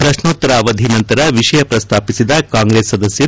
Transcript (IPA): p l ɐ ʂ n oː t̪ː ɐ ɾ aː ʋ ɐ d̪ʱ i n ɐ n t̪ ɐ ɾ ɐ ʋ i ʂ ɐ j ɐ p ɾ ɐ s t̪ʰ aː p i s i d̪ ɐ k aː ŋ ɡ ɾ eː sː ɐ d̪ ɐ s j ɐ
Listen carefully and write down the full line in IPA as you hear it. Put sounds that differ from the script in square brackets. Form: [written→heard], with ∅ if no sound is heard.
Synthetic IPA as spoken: p [l→ɾ] ɐ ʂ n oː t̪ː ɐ ɾ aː ʋ ɐ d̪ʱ i n ɐ n t̪ ɐ ɾ ɐ ʋ i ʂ ɐ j ɐ p ɾ ɐ s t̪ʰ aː p i s i d̪ ɐ k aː ŋ ɡ ɾ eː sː ɐ d̪ ɐ s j ɐ